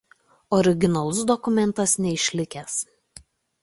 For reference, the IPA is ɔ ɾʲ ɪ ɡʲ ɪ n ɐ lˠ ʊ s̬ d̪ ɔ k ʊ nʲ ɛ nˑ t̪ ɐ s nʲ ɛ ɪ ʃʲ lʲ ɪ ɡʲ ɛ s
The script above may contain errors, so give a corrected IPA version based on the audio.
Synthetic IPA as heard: ɔ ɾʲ ɪ ɡʲ ɪ n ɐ lˠ ʊ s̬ d̪ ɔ k ʊ mʲ ɛ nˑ t̪ ɐ s nʲ ɛ ɪ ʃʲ lʲ ɪ kʲ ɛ s